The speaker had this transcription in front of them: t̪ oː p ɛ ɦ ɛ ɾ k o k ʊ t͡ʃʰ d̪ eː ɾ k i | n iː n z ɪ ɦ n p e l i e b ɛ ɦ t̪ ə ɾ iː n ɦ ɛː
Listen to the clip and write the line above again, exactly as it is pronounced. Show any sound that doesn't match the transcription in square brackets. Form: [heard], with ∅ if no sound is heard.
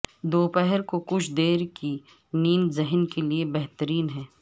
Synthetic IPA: [d̪] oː p ɛ ɦ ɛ ɾ k o k ʊ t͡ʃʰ d̪ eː ɾ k i | n iː n z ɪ ɦ n [k] e l i e b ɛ ɦ t̪ ə ɾ iː n ɦ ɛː